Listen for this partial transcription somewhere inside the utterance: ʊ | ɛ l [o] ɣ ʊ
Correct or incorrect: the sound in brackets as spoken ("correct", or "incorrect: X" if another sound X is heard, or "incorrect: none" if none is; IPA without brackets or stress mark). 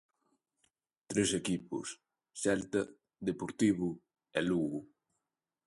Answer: incorrect: u